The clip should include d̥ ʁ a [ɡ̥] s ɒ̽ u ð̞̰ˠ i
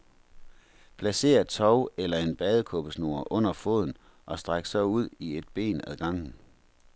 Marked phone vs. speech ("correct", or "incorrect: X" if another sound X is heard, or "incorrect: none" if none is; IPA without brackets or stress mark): correct